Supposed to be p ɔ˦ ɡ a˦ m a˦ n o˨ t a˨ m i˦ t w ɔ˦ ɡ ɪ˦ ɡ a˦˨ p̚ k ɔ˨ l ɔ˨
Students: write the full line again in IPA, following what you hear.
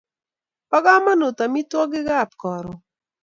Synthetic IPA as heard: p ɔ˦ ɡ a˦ m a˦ n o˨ t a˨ m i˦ t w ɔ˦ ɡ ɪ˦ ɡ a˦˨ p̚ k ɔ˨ ɾ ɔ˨